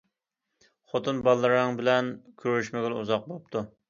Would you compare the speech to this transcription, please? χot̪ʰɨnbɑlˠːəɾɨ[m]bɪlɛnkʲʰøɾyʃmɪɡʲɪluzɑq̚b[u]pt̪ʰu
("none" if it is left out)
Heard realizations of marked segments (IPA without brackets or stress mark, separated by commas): ŋ, o